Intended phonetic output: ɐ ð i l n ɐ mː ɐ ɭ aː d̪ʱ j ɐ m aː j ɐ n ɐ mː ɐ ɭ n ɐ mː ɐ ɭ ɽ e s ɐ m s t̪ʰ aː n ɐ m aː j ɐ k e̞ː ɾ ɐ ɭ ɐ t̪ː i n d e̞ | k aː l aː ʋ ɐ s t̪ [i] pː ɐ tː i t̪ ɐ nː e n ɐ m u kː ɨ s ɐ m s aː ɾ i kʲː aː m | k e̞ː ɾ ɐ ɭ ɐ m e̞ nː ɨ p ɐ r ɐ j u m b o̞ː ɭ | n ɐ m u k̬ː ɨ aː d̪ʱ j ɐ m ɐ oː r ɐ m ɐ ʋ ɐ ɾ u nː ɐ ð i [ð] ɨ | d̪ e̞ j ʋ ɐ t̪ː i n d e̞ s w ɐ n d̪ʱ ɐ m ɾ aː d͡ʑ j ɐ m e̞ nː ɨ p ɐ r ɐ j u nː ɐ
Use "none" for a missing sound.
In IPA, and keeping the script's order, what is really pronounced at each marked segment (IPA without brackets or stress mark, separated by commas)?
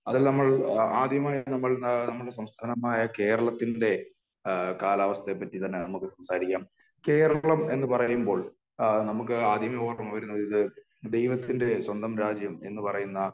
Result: e, ð